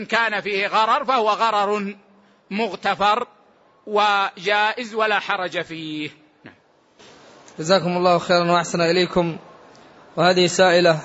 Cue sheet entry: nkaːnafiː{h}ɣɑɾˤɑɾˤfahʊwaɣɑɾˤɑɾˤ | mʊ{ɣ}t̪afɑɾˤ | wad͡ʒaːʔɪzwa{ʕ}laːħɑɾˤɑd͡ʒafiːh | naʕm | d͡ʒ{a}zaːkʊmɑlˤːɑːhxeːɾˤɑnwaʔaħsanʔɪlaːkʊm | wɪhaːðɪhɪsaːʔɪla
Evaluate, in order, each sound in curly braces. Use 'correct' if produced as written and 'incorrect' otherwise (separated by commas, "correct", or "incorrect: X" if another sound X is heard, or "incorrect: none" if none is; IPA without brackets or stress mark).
correct, correct, incorrect: none, correct